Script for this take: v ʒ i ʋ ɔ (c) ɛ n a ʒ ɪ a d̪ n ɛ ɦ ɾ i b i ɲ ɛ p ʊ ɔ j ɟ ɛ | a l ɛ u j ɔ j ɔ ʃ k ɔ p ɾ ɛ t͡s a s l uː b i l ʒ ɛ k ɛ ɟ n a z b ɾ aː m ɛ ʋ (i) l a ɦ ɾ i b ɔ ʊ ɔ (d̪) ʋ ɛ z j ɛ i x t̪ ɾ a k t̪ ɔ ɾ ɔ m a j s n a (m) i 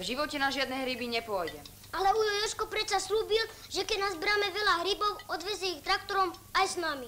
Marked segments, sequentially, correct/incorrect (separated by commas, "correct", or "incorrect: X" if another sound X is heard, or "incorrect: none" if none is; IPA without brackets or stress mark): correct, incorrect: ɛ, correct, correct